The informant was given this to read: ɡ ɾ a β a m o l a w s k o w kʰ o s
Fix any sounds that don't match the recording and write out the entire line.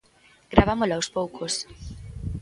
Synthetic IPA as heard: ɡ ɾ a β a m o l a w s p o w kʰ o s